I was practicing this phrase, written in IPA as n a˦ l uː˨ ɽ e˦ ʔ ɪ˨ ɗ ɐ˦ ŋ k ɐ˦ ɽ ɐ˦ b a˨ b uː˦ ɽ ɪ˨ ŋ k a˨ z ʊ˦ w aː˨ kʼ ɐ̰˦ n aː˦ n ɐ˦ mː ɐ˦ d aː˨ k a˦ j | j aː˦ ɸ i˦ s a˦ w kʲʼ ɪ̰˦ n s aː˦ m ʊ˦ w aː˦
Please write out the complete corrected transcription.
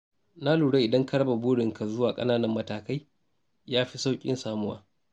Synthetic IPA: n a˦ l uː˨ ɽ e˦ ʔ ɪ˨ d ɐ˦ ŋ k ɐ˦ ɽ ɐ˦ b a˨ b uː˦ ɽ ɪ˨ ŋ k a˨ z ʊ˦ w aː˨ kʼ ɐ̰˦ n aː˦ n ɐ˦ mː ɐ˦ t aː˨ k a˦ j | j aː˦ ɸ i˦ s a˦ w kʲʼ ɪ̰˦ n s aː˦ m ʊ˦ w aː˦